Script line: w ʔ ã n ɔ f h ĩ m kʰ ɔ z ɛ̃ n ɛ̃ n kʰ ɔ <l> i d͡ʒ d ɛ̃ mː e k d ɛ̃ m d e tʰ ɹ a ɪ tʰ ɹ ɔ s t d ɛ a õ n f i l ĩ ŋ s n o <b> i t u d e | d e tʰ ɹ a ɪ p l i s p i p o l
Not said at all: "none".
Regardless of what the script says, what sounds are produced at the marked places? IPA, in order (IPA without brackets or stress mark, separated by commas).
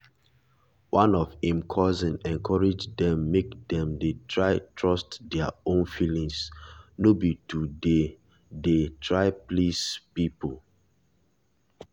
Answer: ɹ, b